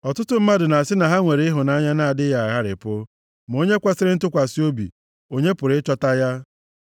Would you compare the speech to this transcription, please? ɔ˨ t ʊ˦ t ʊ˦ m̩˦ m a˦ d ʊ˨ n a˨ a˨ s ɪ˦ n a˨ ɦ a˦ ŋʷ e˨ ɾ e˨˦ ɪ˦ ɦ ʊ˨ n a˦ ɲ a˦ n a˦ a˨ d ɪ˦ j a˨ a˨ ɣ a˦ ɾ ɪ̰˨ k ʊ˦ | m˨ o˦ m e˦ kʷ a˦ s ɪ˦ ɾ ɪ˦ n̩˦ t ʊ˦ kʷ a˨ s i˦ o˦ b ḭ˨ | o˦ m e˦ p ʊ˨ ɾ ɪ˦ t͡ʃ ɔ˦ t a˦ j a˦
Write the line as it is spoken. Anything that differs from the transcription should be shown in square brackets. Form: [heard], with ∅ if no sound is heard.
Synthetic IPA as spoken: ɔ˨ t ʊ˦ t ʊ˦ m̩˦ m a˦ d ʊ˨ n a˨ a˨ s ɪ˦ n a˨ ɦ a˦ ŋʷ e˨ ɾ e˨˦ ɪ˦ ɦ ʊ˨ n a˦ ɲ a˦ n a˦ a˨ d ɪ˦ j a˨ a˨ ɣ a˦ ɾ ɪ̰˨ [p] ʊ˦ | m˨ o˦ [ɲ] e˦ kʷ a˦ s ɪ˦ ɾ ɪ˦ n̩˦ t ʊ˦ kʷ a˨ s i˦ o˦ b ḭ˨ | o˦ [ɲ] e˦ p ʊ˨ ɾ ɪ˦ t͡ʃ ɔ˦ t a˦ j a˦